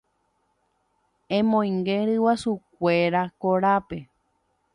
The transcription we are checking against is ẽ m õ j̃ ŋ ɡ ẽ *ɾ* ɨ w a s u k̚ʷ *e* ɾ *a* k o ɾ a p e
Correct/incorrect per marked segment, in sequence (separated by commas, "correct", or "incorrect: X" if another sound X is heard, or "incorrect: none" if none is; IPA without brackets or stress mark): correct, correct, correct